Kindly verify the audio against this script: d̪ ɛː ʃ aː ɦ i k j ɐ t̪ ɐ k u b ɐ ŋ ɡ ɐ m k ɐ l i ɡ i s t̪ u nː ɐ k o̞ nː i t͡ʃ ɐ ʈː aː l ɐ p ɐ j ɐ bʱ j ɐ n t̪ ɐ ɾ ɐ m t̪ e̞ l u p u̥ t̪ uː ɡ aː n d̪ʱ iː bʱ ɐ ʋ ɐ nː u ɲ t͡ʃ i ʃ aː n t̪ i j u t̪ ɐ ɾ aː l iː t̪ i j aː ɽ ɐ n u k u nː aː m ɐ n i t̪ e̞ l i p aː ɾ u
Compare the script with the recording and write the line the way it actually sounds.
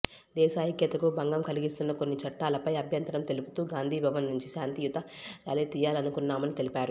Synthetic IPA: d̪ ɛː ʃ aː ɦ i k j ɐ t̪ ɐ k u b ɐ ŋ ɡ ɐ m k ɐ l i ɡ i s t̪ u nː ɐ k o̞ nː i t͡ʃ ɐ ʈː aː l ɐ p ɐ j ɐ bʱ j ɐ n t̪ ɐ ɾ ɐ m t̪ e̞ l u p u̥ t̪ uː ɡ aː n d̪ʱ iː bʱ ɐ ʋ ɐ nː u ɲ t͡ʃ i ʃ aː n t̪ i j u t̪ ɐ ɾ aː l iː t̪ i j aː l ɐ n u k u nː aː m ɐ n i t̪ e̞ l i p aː ɾ u